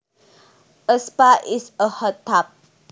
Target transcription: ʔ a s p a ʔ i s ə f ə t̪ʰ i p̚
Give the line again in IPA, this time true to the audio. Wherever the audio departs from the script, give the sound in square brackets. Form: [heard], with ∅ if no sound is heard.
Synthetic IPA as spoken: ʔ [ə] s p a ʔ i s ə [h] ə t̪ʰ [a] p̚